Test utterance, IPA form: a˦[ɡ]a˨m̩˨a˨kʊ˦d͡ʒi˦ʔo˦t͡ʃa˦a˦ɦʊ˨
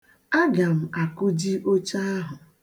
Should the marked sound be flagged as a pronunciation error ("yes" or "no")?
no